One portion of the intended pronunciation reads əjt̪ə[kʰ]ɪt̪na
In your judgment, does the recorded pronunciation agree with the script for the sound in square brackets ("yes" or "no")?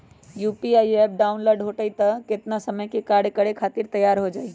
no